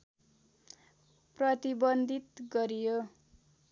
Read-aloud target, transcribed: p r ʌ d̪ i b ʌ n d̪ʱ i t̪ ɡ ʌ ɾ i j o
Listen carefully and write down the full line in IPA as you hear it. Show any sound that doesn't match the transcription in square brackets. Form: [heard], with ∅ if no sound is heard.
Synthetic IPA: p r ʌ [t̪] i b ʌ n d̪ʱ i t̪ ɡ ʌ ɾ i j o